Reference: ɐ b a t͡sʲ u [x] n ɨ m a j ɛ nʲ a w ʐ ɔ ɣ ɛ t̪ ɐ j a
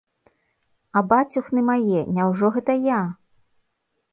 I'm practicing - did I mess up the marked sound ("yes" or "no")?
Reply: no